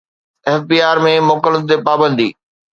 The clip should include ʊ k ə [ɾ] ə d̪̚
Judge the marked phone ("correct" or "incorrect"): incorrect